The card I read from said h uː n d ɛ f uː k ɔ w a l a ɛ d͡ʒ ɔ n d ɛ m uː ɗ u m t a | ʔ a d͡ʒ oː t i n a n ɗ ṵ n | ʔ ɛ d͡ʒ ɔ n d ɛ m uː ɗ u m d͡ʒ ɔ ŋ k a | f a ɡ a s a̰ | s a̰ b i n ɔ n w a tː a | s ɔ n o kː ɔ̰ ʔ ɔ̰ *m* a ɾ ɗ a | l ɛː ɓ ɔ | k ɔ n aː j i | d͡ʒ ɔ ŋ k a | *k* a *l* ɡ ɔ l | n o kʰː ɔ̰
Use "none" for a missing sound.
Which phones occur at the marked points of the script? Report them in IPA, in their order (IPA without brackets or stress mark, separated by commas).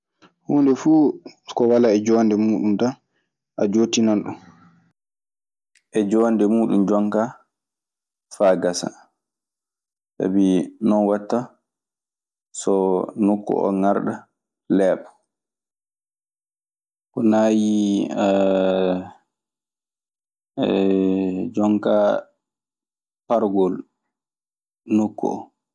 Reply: ŋ, p, ɾ